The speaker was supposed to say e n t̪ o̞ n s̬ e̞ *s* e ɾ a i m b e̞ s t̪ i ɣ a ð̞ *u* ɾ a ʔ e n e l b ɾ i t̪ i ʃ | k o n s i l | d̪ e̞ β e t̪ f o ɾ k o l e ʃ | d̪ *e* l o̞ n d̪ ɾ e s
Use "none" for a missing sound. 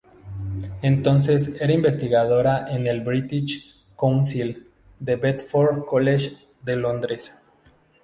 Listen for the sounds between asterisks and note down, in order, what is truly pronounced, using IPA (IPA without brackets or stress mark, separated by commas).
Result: s, o, e